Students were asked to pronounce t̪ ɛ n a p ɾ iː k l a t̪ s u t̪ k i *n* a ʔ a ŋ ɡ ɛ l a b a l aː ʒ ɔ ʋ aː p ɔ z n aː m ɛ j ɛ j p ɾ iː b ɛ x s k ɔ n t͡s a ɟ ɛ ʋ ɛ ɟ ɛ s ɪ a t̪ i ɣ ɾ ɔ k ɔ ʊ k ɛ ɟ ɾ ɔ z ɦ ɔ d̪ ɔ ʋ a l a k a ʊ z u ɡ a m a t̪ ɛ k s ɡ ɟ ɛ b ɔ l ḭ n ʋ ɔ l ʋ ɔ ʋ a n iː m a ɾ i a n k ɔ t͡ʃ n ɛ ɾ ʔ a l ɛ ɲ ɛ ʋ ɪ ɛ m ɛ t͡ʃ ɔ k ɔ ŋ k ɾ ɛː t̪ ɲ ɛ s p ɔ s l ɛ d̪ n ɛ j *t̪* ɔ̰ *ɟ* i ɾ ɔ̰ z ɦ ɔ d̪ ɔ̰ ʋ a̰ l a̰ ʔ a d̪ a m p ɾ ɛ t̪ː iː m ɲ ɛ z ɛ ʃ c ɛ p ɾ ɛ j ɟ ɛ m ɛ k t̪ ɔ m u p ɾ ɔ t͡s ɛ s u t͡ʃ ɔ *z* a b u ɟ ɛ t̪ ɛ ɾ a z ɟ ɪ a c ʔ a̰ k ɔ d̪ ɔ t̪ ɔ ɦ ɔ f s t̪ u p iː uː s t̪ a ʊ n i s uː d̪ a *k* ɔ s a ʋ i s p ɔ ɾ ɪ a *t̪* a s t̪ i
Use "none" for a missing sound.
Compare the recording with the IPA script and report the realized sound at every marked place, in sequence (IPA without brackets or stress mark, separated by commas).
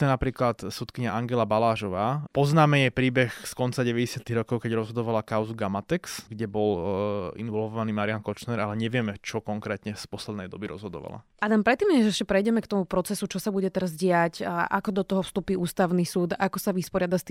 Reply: ɲ, d̪, b, s, k, d̪